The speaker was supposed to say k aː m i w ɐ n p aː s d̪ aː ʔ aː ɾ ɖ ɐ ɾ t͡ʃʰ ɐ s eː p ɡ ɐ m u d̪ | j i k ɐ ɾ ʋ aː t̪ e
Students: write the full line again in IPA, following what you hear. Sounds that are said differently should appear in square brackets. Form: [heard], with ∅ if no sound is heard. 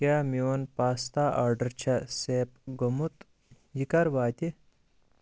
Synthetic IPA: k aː m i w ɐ n p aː s [t̪] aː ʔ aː ɾ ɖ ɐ ɾ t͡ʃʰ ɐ s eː p ɡ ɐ m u [t̪] | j i k ɐ ɾ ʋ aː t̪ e